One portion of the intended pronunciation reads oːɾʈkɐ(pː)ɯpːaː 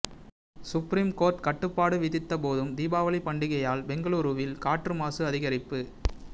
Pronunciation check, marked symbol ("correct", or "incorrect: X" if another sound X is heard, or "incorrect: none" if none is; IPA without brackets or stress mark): incorrect: ʈː